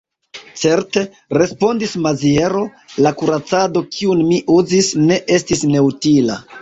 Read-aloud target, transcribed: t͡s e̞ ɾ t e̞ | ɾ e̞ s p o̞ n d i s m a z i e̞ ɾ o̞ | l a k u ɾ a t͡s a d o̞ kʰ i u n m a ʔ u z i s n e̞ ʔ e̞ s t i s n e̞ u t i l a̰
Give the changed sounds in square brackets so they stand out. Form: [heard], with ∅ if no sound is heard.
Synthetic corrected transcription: t͡s e̞ ɾ t e̞ | ɾ e̞ s p o̞ n d i s m a z i e̞ ɾ o̞ | l a k u ɾ a t͡s a d o̞ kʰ i u n m [i] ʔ u z i s n e̞ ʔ e̞ s t i s n e̞ u t i l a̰

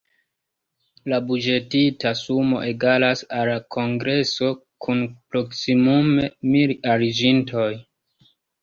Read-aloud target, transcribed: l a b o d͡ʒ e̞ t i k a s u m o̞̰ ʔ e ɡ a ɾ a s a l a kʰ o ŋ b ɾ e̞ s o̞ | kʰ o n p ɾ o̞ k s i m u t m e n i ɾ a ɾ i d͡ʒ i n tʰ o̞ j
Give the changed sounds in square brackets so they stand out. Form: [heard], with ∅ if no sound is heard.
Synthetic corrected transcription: l a b [u] d͡ʒ e̞ t i [t] a s u m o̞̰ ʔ e ɡ a [l] a s a l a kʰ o ŋ [ɡ] ɾ e̞ s o̞ | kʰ [u] n p ɾ o̞ k s i m u [∅] m e [m] i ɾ a ɾ i d͡ʒ i n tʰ o̞ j

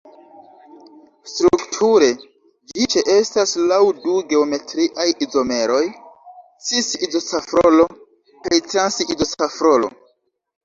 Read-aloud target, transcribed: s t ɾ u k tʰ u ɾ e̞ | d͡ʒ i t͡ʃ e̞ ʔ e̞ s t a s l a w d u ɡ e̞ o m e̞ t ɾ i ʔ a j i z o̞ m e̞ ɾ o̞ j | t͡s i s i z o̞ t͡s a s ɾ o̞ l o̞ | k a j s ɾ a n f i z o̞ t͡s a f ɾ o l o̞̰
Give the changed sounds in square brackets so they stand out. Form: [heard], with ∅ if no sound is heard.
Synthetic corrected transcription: s t ɾ u k tʰ u ɾ e̞ | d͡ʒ i t͡ʃ e̞ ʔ e̞ s t a s l a w d u ɡ e̞ o m e̞ t ɾ i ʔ a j i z o̞ m e̞ ɾ o̞ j | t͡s i s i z o̞ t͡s a [f] ɾ o̞ l o̞ | k a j [t] ɾ a n [s] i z o̞ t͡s a f ɾ o l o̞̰

